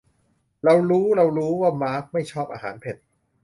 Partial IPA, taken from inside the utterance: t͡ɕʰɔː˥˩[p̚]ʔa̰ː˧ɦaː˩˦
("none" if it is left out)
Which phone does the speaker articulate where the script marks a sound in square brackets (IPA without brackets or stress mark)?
p̚